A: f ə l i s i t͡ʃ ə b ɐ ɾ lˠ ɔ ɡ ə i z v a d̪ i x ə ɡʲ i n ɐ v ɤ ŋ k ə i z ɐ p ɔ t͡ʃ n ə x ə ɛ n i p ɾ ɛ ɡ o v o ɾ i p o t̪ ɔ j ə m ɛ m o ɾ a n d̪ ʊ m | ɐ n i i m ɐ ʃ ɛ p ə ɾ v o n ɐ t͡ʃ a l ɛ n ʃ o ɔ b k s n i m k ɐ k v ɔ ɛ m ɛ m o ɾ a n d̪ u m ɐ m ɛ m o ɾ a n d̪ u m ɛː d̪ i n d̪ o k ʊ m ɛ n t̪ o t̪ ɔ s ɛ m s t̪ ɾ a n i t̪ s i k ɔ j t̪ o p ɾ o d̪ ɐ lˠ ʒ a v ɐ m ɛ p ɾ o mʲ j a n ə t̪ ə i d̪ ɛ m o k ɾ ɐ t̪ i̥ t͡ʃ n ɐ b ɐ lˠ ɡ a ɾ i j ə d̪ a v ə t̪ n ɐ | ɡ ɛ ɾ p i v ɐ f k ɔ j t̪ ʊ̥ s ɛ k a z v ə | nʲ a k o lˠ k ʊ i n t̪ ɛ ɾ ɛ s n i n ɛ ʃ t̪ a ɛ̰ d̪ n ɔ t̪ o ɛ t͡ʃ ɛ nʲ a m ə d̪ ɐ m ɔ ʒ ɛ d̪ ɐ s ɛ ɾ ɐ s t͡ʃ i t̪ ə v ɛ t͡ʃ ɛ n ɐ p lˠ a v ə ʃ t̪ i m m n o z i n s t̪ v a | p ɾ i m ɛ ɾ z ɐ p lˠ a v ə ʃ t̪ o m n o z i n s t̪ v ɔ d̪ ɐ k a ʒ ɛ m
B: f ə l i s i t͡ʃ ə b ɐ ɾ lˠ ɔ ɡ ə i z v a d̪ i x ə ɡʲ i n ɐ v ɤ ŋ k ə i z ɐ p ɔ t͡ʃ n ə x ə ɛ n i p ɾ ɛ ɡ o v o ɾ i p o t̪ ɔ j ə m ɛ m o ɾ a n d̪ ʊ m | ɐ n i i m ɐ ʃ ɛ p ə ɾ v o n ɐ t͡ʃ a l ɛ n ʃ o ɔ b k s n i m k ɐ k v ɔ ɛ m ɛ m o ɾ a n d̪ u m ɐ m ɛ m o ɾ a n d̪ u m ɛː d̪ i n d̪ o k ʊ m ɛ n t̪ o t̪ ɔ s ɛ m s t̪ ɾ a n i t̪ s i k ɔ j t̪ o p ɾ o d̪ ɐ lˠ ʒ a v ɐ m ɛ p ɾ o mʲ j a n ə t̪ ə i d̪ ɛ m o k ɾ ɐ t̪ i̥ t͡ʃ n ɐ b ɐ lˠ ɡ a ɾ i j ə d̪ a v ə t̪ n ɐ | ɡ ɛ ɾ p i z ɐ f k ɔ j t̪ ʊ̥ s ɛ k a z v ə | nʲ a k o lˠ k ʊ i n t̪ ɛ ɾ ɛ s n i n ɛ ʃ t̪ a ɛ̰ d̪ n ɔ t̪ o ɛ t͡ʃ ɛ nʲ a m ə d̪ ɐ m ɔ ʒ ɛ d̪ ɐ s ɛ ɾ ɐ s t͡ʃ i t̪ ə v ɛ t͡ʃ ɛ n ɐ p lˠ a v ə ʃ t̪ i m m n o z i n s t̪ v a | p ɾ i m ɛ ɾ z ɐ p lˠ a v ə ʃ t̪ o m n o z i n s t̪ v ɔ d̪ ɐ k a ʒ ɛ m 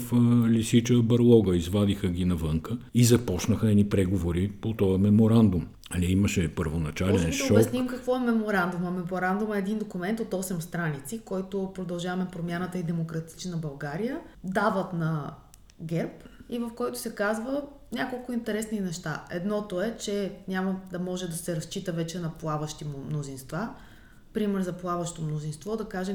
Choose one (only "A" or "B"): A